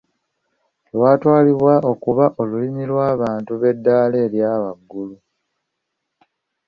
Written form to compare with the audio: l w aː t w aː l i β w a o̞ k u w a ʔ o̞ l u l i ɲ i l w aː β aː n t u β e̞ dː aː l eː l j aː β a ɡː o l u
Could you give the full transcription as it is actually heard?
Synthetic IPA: l w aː t w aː l i β w a o̞ k u β a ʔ o̞ l u l i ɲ i l w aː β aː n t u β e̞ dː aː l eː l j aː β a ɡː u l u